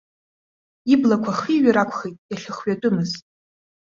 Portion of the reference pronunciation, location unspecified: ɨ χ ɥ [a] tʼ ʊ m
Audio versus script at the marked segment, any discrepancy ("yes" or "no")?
no